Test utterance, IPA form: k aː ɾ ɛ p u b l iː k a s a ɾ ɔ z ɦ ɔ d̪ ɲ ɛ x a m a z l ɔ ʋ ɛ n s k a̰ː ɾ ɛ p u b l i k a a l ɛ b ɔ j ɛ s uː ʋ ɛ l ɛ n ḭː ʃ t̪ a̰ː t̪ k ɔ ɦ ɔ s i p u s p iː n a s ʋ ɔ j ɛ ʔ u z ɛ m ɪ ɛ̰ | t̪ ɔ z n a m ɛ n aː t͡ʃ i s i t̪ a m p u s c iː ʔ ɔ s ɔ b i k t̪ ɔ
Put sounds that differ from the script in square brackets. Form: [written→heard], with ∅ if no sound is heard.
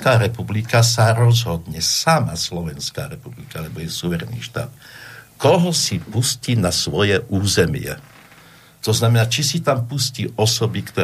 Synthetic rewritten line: k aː ɾ ɛ p u b l [iː→i] k a s a ɾ ɔ z ɦ ɔ d̪ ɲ ɛ [x→s] a m a [z→s] l ɔ ʋ ɛ n s k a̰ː ɾ ɛ p u b l i k a a l ɛ b ɔ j ɛ s [uː→u] ʋ ɛ [l→ɾ] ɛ n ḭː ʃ t̪ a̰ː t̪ k ɔ ɦ ɔ s i p u s [p→c] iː n a s ʋ ɔ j ɛ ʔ [u→uː] z ɛ m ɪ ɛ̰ | t̪ ɔ z n a m ɛ n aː t͡ʃ i s i t̪ a m p u s c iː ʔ ɔ s ɔ b i k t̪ ɔ